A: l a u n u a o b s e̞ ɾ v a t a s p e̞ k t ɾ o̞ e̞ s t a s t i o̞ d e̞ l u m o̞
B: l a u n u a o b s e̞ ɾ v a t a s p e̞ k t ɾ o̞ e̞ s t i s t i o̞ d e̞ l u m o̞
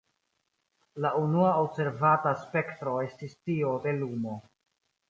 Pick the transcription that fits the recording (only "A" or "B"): B